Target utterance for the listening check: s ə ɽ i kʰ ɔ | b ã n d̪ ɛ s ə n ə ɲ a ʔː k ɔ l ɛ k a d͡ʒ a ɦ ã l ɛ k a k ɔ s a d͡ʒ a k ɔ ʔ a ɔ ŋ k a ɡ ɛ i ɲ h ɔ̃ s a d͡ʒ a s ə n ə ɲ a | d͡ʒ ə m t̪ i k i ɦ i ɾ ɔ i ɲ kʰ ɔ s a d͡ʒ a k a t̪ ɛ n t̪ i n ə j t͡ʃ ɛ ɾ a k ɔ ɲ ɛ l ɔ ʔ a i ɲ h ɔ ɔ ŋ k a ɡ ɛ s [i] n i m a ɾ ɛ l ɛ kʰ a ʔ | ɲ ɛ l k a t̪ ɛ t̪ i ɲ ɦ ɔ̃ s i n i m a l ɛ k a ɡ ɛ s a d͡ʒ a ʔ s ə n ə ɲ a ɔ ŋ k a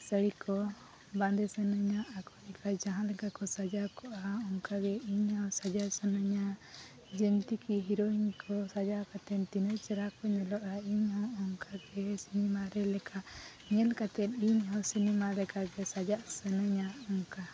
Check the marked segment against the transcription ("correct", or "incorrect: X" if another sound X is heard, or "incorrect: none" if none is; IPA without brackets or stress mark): correct